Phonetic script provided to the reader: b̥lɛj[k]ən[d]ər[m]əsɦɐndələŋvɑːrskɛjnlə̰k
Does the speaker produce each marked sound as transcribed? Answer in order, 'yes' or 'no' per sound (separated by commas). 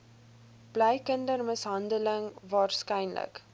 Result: yes, yes, yes